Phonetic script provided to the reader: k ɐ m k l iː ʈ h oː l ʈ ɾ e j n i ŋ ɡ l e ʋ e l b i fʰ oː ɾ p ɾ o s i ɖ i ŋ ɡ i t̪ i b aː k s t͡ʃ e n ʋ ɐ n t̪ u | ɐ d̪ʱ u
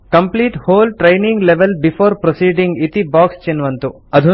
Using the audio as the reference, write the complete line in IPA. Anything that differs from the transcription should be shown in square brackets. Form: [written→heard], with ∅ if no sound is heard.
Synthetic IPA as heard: k ɐ m [k→p] l iː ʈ h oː l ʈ ɾ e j n i ŋ ɡ l e ʋ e l b i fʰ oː ɾ p ɾ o s [i→iː] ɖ i ŋ ɡ i t̪ i b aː k s t͡ʃ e n ʋ ɐ n t̪ u | ɐ d̪ʱ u